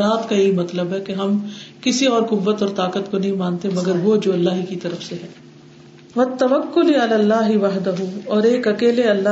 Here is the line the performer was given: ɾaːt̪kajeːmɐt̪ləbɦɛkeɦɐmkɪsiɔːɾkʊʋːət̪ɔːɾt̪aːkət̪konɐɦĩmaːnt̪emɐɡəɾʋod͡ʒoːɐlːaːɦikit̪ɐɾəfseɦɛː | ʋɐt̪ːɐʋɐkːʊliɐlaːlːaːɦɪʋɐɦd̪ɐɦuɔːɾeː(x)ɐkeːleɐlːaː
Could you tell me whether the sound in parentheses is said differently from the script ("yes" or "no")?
yes